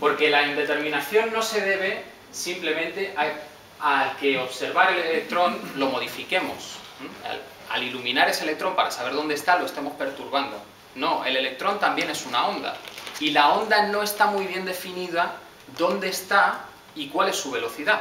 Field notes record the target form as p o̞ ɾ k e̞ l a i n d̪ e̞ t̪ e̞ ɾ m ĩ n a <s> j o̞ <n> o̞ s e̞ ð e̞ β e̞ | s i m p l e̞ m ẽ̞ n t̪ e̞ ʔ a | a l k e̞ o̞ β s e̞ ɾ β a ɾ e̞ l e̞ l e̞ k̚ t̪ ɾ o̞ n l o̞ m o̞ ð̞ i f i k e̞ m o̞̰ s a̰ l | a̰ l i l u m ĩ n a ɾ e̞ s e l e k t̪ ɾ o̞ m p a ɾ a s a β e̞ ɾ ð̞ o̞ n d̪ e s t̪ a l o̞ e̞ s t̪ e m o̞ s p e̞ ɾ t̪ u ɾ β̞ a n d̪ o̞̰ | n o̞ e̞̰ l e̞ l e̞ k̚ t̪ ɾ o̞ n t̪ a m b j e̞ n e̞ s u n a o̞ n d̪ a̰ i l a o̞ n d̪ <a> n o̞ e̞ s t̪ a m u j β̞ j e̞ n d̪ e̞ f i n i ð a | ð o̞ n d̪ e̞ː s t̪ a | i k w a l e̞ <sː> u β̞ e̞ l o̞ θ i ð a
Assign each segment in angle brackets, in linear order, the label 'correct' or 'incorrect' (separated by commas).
incorrect, incorrect, correct, correct